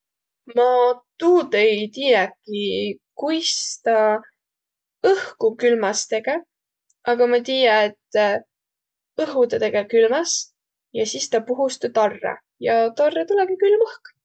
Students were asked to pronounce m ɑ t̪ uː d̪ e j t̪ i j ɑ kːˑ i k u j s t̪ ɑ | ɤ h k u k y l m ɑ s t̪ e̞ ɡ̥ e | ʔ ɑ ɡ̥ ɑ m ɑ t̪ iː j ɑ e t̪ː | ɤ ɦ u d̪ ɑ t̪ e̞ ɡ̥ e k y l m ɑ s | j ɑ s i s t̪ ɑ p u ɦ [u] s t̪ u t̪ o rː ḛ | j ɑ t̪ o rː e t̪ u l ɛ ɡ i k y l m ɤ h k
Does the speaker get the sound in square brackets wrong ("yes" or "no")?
no